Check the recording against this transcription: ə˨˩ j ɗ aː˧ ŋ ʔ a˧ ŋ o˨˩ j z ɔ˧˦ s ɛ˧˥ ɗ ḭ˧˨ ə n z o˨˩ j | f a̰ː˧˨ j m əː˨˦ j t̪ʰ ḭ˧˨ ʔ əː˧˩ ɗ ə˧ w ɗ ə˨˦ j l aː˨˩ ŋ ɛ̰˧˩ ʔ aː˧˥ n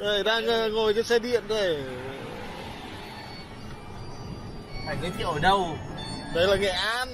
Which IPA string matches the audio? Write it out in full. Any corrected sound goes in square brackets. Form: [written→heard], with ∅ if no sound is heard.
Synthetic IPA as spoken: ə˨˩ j ɗ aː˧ ŋ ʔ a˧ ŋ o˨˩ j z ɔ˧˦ s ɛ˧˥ ɗ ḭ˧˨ ə n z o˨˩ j | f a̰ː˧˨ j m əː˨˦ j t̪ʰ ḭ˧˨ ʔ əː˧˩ ɗ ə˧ w ɗ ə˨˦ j l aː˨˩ ŋ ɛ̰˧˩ ʔ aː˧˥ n